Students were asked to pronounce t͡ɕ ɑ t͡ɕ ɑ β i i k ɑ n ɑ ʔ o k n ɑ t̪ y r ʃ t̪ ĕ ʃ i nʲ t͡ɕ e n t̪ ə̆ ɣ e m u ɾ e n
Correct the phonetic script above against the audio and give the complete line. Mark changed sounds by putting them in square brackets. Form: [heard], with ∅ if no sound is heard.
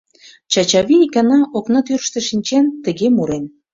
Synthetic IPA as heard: t͡ɕ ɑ t͡ɕ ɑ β i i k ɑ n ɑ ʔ o k n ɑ t̪ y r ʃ t̪ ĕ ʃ i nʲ t͡ɕ e n t̪ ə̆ ɣ e m u ɾ e n